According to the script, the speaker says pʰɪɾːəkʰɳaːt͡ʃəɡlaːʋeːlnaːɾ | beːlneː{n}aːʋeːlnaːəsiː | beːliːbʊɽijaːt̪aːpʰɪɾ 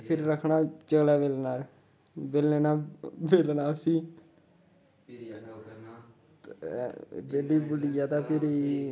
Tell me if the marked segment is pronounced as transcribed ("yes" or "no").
yes